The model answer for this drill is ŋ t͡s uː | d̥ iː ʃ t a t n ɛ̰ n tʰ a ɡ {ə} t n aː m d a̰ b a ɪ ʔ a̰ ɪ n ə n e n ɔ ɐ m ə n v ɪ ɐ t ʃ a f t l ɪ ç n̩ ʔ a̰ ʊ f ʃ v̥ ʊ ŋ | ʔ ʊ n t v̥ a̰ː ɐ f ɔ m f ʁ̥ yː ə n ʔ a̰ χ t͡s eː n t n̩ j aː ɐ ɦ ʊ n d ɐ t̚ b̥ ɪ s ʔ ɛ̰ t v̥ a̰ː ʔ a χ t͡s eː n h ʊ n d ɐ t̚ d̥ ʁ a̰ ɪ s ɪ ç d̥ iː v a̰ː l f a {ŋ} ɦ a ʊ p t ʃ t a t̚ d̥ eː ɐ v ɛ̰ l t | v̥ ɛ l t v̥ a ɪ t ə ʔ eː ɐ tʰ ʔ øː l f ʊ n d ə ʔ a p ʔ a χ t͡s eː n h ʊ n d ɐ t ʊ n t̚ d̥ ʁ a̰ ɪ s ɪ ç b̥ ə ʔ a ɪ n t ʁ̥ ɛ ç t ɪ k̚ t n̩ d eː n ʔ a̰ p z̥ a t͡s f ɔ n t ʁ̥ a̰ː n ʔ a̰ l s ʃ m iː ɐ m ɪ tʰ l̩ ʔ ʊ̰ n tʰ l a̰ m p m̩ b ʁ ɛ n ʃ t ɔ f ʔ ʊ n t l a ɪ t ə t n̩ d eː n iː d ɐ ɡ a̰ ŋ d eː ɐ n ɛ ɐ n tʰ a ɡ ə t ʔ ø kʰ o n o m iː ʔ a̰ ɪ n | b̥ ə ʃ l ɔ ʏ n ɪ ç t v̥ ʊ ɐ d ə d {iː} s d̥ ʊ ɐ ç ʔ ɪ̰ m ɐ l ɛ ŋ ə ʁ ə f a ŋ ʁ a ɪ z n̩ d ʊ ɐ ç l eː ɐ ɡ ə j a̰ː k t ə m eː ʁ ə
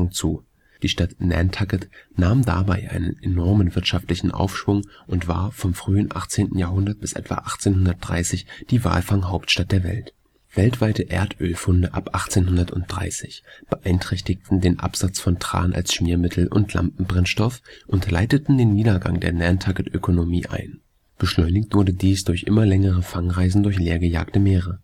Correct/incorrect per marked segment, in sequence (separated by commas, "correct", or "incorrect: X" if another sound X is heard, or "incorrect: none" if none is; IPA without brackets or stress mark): correct, correct, correct